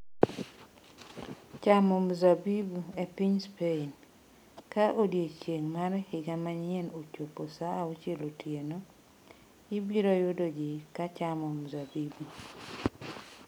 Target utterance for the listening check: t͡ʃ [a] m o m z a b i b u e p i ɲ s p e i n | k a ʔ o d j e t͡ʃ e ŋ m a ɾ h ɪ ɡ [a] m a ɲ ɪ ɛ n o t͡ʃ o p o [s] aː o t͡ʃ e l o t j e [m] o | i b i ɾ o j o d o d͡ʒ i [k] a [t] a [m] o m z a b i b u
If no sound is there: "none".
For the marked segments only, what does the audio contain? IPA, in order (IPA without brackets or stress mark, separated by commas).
a, a, s, n, k, t͡ʃ, m